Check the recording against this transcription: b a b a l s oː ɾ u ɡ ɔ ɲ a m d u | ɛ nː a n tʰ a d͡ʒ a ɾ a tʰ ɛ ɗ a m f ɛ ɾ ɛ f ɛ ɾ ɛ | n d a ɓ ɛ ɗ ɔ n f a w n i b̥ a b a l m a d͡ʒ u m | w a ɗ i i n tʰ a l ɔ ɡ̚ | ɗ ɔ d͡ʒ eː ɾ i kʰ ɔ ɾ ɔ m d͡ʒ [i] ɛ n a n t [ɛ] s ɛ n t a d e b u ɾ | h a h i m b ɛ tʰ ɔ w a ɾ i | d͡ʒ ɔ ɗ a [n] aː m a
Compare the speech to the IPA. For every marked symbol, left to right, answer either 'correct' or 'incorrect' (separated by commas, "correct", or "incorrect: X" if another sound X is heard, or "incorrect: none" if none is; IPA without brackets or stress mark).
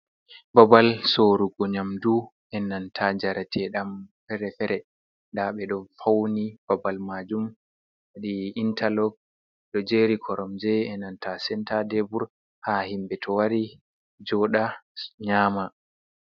incorrect: ɛ, incorrect: a, incorrect: ɲ